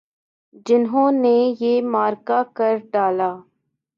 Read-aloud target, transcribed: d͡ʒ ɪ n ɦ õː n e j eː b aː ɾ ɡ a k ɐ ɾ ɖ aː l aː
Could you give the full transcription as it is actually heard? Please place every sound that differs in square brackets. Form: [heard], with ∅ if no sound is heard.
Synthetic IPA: d͡ʒ ɪ n ɦ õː n e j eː [m] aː ɾ [k] a k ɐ ɾ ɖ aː l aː